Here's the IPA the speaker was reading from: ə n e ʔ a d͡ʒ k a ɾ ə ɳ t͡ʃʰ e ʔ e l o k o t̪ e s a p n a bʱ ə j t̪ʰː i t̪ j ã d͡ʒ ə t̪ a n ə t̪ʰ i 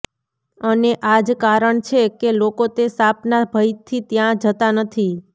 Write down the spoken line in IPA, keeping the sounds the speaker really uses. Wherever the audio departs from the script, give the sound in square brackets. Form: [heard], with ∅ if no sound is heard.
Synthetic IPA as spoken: ə n e ʔ a d͡ʒ k a ɾ ə ɳ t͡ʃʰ e [k] e l o k o t̪ e s a p n a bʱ ə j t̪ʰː i t̪ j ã d͡ʒ ə t̪ a n ə t̪ʰ i